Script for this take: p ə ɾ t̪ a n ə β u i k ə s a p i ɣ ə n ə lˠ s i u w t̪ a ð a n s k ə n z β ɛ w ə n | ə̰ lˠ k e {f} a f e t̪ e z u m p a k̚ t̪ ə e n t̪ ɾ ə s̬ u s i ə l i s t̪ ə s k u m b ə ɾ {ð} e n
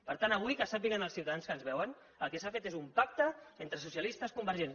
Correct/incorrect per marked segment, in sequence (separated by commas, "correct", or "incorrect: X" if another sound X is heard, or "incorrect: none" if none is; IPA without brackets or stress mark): incorrect: s, incorrect: ʒ